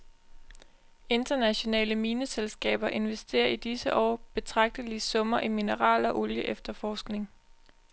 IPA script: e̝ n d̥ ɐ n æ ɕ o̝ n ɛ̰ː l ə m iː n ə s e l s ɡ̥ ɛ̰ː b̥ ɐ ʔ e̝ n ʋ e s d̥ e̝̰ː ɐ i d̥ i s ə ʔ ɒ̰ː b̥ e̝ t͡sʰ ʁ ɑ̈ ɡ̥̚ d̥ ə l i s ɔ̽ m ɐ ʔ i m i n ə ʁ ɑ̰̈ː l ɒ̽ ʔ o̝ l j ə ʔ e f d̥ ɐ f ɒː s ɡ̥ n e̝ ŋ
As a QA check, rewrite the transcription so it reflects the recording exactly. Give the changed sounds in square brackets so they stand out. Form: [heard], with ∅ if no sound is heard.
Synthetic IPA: e̝ n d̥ ɐ n æ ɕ o̝ n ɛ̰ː l ə m iː n ə s e l s ɡ̥ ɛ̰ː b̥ ɐ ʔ e̝ n ʋ e s d̥ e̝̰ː ɐ i d̥ i s ə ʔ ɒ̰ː b̥ e̝ t͡sʰ ʁ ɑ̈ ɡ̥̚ d̥ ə l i s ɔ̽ m ɐ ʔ i m i n ə ʁ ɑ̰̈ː l ɒ̽ ʔ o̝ l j ə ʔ e f d̥ ɐ f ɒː s ɡ̥ n e̝ ŋ

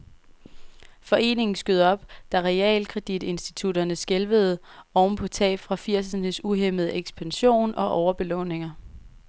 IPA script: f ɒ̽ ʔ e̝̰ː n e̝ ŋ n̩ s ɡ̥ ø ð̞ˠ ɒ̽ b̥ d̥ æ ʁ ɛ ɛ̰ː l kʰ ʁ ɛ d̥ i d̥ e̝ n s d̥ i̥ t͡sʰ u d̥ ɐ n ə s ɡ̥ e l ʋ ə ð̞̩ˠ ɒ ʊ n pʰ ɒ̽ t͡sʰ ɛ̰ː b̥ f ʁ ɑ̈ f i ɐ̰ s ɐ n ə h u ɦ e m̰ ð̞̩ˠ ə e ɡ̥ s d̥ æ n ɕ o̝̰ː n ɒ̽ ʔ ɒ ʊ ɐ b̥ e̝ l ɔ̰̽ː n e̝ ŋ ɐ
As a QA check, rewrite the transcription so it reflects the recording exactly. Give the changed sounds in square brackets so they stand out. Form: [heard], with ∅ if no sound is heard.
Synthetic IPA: f ɒ̽ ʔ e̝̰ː n e̝ ŋ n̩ s ɡ̥ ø ð̞ˠ ɒ̽ b̥ d̥ æ ʁ ɛ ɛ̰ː l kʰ ʁ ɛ d̥ i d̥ e̝ n s d̥ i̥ t͡sʰ u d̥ ɐ n ə s ɡ̥ e l ʋ ə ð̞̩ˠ ɒ ʊ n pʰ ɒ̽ t͡sʰ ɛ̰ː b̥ f ʁ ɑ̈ f i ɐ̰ s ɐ n ə [s] u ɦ e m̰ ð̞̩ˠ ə e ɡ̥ s [b̥] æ n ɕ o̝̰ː n ɒ̽ ʔ ɒ ʊ ɐ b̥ e̝ l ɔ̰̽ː n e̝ ŋ ɐ

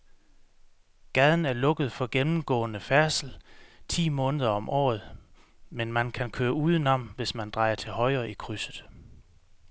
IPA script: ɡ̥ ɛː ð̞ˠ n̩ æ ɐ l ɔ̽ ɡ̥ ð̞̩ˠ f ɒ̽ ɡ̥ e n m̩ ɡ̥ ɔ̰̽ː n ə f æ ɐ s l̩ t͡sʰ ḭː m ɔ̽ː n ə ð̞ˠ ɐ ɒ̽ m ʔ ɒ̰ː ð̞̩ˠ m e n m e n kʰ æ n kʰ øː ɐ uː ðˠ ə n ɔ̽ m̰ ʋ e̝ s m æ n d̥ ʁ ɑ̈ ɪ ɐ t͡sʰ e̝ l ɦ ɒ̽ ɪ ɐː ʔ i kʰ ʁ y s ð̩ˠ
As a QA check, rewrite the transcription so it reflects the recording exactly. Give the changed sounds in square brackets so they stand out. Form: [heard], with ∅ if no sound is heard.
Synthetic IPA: ɡ̥ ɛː ð̞ˠ n̩ æ ɐ l ɔ̽ ɡ̥ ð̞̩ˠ f ɒ̽ ɡ̥ e n m̩ ɡ̥ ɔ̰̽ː n ə f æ ɐ s l̩ t͡sʰ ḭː m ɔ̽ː n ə ð̞ˠ ɐ ɒ̽ m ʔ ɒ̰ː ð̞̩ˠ m e n m [æ] n kʰ æ n kʰ øː ɐ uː ðˠ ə n [ɒ̽] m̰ ʋ e̝ s m æ n d̥ ʁ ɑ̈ ɪ ɐ t͡sʰ e̝ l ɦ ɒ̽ ɪ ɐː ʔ i kʰ ʁ y s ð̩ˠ

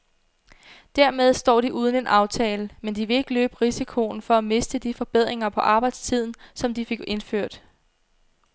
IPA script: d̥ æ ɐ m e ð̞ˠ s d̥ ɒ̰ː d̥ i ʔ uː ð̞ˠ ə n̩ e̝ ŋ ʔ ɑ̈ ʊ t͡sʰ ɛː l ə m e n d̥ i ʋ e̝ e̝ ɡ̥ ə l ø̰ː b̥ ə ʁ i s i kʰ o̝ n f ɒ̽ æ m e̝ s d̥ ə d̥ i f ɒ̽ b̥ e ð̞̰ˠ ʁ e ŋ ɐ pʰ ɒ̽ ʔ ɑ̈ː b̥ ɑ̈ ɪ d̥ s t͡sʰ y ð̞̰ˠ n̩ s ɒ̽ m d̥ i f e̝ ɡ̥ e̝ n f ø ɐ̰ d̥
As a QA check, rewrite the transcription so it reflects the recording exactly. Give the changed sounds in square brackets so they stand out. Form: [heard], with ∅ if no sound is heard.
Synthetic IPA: d̥ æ ɐ m e ð̞ˠ s d̥ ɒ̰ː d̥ i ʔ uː ð̞ˠ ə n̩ e̝ [n] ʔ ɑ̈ ʊ t͡sʰ ɛː l ə m e n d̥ i ʋ e̝ e̝ ɡ̥ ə l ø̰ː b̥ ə ʁ i s i kʰ o̝ n f ɒ̽ æ m e̝ s d̥ ə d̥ i f ɒ̽ b̥ e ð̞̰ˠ ʁ e ŋ ɐ pʰ ɒ̽ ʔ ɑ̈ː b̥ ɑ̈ ɪ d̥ s t͡sʰ [i] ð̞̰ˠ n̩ s ɒ̽ m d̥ i f e̝ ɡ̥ e̝ n f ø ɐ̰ d̥

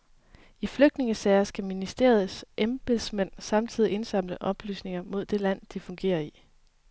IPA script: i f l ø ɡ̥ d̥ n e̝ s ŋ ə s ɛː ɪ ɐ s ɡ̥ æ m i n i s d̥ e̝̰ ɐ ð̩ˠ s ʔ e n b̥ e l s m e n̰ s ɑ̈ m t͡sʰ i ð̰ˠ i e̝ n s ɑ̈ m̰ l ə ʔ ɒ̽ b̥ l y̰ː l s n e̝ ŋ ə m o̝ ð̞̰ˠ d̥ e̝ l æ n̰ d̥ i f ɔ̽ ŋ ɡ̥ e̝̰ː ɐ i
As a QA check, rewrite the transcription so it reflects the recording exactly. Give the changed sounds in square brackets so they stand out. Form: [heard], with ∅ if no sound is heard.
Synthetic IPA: i f l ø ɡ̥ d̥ n e̝ [∅] ŋ ə s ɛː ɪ ɐ s ɡ̥ æ m i n i s d̥ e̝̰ ɐ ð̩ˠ s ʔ e [m] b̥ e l s m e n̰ s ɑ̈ m t͡sʰ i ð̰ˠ i e̝ n s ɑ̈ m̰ l ə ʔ ɒ̽ b̥ l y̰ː [∅] s n e̝ ŋ [ɐ] m o̝ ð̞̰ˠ d̥ e̝ l æ n̰ d̥ i f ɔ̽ ŋ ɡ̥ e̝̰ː ɐ i

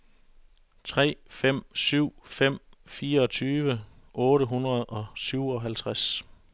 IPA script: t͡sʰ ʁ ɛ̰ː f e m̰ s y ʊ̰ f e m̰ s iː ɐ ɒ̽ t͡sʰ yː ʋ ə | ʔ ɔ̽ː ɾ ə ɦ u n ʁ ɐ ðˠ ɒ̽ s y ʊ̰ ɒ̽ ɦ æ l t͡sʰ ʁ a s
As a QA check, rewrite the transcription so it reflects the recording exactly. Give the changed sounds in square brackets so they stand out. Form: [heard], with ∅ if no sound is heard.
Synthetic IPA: t͡sʰ ʁ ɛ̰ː f e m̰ s y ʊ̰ f e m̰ [f] iː ɐ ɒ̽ t͡sʰ yː ʋ ə | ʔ ɔ̽ː ɾ ə ɦ u n ʁ ɐ ðˠ ɒ̽ s y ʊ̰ ɒ̽ ɦ æ l t͡sʰ ʁ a s

